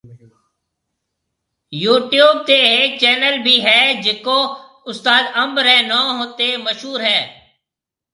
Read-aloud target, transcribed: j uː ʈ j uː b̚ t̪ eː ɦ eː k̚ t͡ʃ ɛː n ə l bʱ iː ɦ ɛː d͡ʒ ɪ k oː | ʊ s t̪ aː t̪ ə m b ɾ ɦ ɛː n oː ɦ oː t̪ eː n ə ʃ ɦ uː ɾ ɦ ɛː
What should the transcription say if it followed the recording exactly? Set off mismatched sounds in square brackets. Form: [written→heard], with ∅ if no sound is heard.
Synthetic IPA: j uː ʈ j uː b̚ t̪ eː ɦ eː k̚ t͡ʃ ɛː n ə l bʱ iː ɦ ɛː d͡ʒ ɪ k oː | ʊ s t̪ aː [t̪→d̪] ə m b ɾ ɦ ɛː n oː ɦ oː t̪ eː [n→m] ə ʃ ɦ uː ɾ ɦ ɛː